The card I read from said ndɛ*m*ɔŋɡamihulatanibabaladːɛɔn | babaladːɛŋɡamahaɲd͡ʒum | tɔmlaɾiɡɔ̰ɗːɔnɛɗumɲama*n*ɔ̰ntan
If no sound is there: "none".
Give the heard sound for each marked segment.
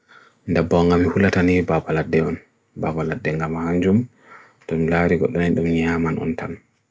b, n

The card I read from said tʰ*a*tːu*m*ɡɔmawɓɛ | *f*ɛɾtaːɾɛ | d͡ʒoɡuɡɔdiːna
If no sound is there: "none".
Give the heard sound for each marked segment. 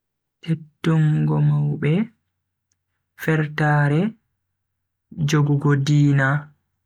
e, ŋ, f

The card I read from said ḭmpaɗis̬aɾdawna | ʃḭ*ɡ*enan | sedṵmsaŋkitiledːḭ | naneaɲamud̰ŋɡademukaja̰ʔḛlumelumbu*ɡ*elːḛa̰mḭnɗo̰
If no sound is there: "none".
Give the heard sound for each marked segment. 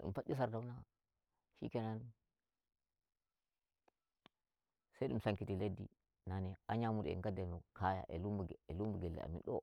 k, ɡ

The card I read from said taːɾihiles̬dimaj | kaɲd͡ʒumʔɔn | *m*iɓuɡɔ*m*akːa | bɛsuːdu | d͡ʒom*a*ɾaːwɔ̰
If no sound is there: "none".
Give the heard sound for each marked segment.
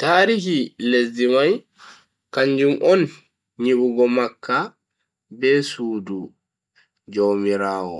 ɲ, m, i

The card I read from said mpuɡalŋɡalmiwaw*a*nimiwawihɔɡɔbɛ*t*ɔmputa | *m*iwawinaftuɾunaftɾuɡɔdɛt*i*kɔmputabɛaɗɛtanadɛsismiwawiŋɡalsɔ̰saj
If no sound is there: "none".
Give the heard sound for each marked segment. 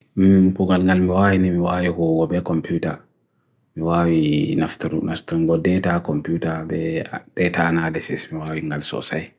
i, k, m, a

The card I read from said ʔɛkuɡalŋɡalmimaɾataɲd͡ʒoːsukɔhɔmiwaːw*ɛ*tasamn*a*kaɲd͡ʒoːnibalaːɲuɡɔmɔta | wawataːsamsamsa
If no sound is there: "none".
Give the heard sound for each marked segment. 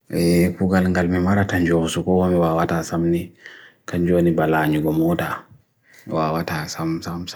a, i

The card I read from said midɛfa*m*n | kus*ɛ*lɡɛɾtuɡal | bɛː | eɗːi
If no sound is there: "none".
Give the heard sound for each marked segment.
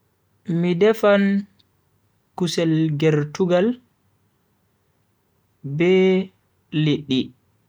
none, ɛ

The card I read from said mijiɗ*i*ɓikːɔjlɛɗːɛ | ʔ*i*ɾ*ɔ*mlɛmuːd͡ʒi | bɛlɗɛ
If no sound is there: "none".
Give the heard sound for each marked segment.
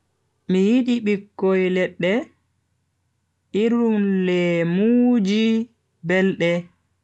i, i, u

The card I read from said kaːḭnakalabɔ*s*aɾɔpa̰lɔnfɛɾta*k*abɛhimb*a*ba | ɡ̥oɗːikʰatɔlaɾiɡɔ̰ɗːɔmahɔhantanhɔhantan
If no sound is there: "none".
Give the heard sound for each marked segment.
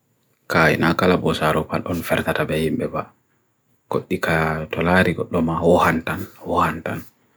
s, t, ɛ

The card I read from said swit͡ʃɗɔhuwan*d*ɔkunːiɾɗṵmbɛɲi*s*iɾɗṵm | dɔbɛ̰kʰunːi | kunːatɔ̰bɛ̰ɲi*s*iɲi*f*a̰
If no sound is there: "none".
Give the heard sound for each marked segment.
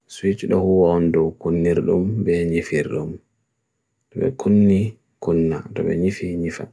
d, f, f, f

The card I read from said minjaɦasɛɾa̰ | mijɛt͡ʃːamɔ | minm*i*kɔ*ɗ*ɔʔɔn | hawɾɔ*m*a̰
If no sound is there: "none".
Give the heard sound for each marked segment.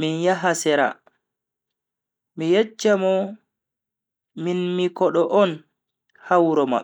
i, ɗ, m

